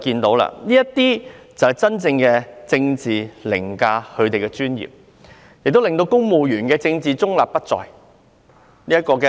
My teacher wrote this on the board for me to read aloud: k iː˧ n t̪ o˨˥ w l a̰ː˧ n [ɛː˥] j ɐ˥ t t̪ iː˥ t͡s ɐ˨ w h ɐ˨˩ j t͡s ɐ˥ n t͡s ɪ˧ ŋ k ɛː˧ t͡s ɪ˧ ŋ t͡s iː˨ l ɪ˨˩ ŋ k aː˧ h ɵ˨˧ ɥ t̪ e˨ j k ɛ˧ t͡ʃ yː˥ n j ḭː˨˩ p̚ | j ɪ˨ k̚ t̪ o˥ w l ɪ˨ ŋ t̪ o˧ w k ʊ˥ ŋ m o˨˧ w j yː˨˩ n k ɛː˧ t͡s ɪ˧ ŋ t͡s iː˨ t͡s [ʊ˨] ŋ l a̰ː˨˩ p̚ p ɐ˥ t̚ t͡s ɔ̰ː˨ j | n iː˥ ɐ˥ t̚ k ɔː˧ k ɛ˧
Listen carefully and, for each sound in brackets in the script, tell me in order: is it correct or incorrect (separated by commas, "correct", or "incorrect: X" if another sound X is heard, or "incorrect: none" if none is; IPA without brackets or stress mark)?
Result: incorrect: iː˥, incorrect: ʊ˥